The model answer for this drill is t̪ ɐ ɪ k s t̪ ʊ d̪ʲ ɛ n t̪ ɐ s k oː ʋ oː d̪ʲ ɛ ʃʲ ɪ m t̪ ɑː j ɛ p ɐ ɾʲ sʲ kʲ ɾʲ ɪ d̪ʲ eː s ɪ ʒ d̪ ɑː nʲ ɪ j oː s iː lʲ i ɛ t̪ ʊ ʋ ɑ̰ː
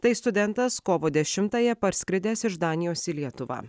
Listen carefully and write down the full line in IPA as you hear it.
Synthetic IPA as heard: t̪ ɐ ɪ s t̪ ʊ d̪ʲ ɛ n t̪ ɐ s k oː ʋ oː d̪ʲ ɛ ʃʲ ɪ m t̪ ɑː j ɛ p ɐ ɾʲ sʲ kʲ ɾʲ ɪ d̪ʲ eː s ɪ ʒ d̪ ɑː nʲ ɪ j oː s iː lʲ i ɛ t̪ ʊ ʋ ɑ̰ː

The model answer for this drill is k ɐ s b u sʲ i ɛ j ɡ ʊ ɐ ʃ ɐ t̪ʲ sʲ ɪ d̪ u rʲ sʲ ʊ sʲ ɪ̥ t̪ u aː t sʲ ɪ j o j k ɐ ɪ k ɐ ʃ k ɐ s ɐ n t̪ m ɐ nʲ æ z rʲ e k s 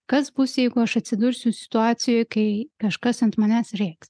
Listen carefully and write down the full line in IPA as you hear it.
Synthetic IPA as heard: k ɐ s b u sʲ j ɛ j ɡ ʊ ɐ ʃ ɐ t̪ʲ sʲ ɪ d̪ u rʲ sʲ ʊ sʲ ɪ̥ t̪ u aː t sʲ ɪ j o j k ɐ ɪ k ɐ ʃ k ɐ s ɐ n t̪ m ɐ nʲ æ s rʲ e k s

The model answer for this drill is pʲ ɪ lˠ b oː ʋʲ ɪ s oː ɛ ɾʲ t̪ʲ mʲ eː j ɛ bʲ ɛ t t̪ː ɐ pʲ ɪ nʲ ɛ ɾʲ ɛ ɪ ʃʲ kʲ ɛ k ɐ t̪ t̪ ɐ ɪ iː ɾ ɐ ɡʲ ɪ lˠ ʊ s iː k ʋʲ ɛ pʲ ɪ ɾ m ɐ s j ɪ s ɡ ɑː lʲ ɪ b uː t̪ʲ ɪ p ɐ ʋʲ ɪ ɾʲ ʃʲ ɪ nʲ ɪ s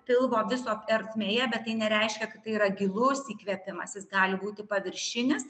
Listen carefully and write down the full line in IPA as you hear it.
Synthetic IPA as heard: pʲ ɪ lˠ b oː ʋʲ ɪ s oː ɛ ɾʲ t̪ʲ mʲ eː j ɛ bʲ ɛ t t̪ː ɐ ɪ nʲ ɛ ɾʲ ɛ ɪ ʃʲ kʲ ɛ k ɐ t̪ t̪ ɐ ɪ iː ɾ ɐ ɡʲ ɪ lˠ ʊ s iː k ʋʲ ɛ pʲ ɪ m ɐ s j ɪ s ɡ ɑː lʲ ɪ b uː t̪ʲ ɪ p ɐ ʋʲ ɪ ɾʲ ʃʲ ɪ nʲ ɪ s

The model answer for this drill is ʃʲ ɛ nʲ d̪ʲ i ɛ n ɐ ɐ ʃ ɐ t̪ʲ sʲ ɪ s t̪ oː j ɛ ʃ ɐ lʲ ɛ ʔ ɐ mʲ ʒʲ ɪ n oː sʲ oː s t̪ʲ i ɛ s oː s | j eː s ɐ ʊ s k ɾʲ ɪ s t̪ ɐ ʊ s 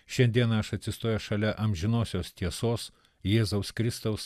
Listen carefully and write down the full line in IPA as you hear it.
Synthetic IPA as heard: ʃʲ ɛ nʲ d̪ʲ i ɛ n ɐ ɐ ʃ ɐ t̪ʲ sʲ ɪ s t̪ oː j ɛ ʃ ɐ lʲ ɛ ʔ ɐ mʲ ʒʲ ɪ n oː sʲ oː s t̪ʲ i ɛ s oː s | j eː z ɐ ʊ s k ɾʲ ɪ s t̪ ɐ ʊ s

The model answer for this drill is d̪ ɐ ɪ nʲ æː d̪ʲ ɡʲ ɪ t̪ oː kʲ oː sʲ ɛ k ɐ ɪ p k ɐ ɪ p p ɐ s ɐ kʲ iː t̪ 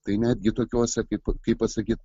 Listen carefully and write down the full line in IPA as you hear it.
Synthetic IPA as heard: t̪ ɐ ɪ nʲ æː d̪ʲ ɡʲ ɪ t̪ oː kʲ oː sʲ ɛ k ɐ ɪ p k ɐ ɪ p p ɐ s ɐ kʲ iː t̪

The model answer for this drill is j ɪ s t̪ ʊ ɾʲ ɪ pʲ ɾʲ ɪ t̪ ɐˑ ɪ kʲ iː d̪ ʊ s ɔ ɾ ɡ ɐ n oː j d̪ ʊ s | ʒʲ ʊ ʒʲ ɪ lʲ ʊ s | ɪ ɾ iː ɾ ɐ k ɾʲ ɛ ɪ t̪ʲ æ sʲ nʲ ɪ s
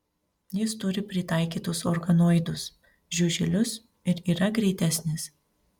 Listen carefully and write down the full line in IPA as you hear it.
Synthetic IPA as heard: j ɪ s t̪ ʊ ɾʲ ɪ pʲ ɾʲ ɪ t̪ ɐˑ ɪ kʲ iː t̪ ʊ s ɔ ɾ ɡ ɐ n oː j d̪ ʊ s | ʒʲ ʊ ʒʲ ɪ lʲ ʊ s | ɪ ɾ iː ɾ ɐ ɡ ɾʲ ɛ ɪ t̪ʲ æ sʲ nʲ ɪ s

